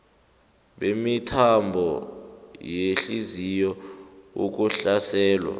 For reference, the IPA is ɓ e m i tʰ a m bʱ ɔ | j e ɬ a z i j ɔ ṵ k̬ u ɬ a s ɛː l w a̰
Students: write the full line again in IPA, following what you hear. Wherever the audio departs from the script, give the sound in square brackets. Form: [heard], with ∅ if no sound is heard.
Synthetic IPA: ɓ e m i tʰ a m bʱ ɔ | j e ɬ [i] z i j ɔ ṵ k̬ u ɬ a s ɛː l w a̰

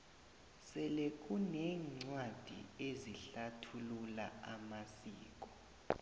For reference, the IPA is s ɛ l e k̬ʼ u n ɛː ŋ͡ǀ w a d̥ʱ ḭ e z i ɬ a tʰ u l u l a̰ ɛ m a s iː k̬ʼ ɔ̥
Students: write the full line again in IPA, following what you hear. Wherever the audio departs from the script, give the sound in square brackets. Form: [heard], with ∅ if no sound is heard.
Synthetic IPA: s ɛ l e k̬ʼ u n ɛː ŋ͡ǀ w a d̥ʱ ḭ e z i ɬ a tʰ u l u l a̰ [a] m a s iː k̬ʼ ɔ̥

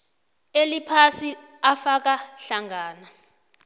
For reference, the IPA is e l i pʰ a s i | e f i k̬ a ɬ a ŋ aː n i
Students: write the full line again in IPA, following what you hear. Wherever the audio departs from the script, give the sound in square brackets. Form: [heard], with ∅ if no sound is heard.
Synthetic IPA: e l i pʰ a s i | [a] f [a] k̬ a ɬ a ŋ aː n [a]

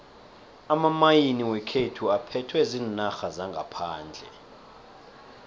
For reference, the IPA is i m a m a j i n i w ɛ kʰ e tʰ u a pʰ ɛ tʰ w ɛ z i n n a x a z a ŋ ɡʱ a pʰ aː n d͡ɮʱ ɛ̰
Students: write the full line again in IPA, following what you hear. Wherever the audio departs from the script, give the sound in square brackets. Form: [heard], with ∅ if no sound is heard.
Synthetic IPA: [a] m a m a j i n i w ɛ kʰ e tʰ u a pʰ ɛ tʰ w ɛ z i n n a x a z a ŋ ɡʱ a pʰ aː n d͡ɮʱ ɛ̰

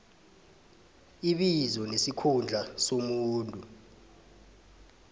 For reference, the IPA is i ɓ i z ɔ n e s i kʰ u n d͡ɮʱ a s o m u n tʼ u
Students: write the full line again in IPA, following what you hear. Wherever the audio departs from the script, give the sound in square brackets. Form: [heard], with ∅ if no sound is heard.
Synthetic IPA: i ɓ i z ɔ n e s i kʰ u n d͡ɮʱ a s o m [uː] n tʼ u

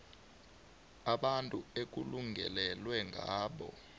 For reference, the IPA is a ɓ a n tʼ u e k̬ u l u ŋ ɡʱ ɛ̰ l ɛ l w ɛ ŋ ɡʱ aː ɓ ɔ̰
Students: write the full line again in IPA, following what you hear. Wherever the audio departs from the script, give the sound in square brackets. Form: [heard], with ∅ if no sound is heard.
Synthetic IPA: a ɓ a n tʼ u e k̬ u l u ŋ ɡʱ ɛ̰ l ɛ l w ɛ ŋ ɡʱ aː ɓ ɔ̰

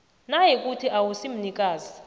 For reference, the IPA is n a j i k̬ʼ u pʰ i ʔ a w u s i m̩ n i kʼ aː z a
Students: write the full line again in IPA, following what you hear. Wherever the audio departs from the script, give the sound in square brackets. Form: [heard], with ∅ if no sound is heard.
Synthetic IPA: n a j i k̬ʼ u [tʰ] i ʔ a w u s i m̩ n i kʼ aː z [i]

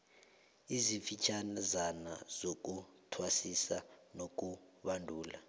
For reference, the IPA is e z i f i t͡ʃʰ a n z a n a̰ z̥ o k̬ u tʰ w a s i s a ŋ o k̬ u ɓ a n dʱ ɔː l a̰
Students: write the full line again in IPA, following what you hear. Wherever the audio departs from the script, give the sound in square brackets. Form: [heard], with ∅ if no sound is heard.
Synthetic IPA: [i] z i f i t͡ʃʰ a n z a n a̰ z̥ o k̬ u tʰ w a s i s a [n] o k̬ u ɓ a n dʱ [uː] l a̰

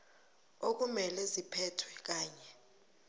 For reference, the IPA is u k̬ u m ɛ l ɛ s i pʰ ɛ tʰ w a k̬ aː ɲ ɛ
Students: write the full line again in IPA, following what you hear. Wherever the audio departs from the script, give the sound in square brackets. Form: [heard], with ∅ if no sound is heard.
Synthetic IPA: [o] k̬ u m ɛ l ɛ [z] i pʰ ɛ tʰ w [ɛ] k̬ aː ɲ ɛ

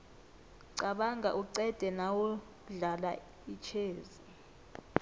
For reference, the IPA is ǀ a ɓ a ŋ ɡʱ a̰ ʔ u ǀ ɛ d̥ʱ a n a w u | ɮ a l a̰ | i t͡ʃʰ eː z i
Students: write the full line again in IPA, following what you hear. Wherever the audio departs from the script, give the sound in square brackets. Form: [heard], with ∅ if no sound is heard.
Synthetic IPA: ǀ a ɓ a ŋ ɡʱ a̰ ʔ u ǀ ɛ d̥ʱ [ɛ] n a w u | ɮ a l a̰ | i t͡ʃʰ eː z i

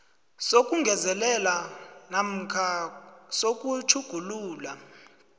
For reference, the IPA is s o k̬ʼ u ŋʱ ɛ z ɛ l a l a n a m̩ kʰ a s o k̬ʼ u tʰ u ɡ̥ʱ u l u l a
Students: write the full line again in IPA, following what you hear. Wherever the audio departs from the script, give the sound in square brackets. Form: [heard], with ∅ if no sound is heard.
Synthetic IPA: s o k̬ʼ u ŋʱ ɛ z ɛ l [ɛ] l a n a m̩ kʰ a s o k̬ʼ u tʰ u ɡ̥ʱ u l [uː] l a

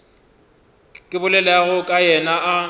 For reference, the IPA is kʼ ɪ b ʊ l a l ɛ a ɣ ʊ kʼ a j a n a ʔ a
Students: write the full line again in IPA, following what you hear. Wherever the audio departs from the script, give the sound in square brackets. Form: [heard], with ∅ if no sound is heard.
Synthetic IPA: kʼ ɪ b ʊ l [ɛ] l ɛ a ɣ ʊ kʼ a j [ɛ] n a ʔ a

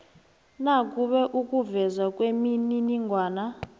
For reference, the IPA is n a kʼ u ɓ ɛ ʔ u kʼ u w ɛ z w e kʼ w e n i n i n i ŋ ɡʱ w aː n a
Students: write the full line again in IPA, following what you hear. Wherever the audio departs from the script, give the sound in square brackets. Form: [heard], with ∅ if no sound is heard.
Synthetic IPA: n a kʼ u ɓ ɛ ʔ u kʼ u [v] ɛ z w [a] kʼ w e [m] i n i n i ŋ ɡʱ w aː n a

